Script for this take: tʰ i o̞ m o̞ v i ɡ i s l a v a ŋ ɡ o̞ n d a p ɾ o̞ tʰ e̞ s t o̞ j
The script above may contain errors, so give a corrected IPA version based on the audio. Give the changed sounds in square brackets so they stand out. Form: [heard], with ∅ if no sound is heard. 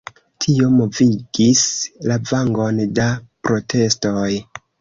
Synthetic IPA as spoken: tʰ i o̞ m o̞ v i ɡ i s l a v a ŋ ɡ o̞ n d a p ɾ o̞ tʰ e̞ s t o̞ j